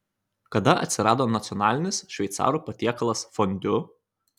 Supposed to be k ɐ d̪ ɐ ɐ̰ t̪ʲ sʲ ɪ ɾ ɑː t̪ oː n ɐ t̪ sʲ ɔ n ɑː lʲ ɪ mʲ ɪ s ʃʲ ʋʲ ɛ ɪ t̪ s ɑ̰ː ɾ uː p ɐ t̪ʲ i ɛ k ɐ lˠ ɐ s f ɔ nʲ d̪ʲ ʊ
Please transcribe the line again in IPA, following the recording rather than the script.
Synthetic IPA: k ɐ d̪ ɐ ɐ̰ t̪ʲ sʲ ɪ ɾ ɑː d̪ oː n ɐ t̪ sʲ ɔ n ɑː lʲ ɪ nʲ ɪ s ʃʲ ʋʲ ɛ ɪ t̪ s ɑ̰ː ɾ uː p ɐ t̪ʲ i ɛ k ɐ lˠ ɐ s f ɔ nʲ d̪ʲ ʊ